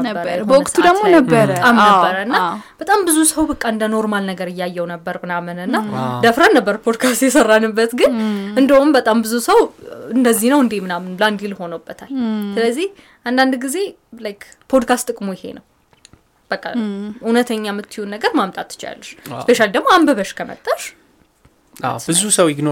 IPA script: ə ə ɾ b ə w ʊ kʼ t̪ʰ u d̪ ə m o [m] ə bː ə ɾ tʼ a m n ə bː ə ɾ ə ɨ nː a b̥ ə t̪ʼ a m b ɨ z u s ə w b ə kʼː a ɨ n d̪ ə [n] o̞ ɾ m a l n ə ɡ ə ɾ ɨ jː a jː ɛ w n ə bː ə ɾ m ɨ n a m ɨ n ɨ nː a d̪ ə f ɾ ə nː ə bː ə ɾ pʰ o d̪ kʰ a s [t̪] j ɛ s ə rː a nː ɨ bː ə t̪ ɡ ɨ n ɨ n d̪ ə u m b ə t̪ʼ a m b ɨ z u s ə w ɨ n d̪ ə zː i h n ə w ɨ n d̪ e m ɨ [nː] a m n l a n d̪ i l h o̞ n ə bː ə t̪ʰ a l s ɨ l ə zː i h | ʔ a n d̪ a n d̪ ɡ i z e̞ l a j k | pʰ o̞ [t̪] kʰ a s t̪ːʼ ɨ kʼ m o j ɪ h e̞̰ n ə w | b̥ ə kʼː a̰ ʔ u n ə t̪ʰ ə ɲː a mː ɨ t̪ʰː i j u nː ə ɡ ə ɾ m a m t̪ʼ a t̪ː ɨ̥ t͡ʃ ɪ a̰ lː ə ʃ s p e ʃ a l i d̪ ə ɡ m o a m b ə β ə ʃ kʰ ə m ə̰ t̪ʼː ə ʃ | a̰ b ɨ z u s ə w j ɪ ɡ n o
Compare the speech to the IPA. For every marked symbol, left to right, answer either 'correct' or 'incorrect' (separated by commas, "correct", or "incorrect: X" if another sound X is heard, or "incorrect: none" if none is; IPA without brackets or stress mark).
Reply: incorrect: n, correct, correct, incorrect: n, incorrect: d̪